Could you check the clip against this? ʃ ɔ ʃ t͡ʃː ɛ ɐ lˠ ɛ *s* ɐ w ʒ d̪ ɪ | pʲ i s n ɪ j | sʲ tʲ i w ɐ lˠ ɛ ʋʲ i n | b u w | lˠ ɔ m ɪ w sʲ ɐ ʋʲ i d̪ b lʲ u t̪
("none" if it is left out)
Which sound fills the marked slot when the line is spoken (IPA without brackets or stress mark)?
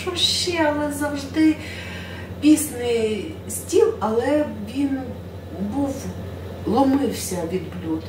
z